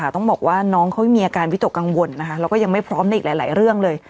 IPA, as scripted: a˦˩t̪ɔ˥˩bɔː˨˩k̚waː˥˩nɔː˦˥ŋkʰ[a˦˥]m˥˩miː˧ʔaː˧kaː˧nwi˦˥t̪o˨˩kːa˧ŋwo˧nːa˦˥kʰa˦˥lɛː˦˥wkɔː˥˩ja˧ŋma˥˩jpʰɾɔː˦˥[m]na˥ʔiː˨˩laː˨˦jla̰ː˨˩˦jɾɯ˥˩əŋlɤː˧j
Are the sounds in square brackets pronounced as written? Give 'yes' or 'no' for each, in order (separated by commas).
yes, yes